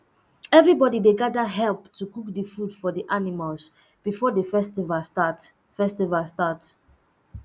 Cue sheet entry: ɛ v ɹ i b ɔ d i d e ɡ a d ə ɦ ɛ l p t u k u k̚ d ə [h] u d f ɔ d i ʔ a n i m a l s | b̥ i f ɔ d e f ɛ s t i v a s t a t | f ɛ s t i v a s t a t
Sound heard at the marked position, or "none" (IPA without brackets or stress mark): f